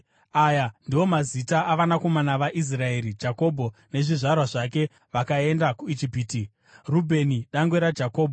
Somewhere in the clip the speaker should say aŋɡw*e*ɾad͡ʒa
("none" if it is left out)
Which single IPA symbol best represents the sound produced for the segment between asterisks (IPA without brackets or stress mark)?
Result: e